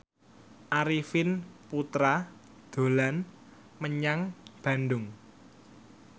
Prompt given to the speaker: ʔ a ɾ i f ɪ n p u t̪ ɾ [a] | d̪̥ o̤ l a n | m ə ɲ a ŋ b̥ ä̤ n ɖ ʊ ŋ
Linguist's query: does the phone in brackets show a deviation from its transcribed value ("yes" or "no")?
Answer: no